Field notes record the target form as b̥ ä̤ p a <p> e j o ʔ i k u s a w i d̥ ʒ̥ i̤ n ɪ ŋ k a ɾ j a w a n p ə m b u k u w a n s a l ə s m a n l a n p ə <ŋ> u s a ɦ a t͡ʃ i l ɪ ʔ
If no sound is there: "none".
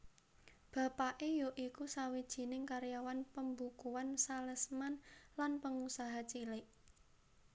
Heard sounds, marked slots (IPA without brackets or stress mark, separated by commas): ʔ, ŋ